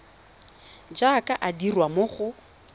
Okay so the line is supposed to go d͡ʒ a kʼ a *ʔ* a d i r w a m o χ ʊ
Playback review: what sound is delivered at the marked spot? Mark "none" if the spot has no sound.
ʔ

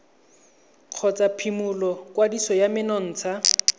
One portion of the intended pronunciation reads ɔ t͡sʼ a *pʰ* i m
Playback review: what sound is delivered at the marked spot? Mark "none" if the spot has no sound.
pʰ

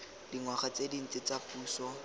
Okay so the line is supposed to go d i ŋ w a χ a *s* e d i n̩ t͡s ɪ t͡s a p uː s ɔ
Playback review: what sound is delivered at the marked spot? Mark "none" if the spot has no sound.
t͡s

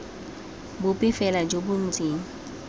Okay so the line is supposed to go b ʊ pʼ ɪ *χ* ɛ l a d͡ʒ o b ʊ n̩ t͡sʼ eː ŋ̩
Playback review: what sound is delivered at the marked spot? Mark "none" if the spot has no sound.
f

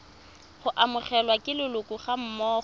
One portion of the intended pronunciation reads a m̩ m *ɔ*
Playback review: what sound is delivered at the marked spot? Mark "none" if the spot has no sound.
ɔː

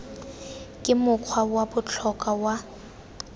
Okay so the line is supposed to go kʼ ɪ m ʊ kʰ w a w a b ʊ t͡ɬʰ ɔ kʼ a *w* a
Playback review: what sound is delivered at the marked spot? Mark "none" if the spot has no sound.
w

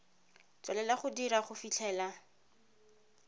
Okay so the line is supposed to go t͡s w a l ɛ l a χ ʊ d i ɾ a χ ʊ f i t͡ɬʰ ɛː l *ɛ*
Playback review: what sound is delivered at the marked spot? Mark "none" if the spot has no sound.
a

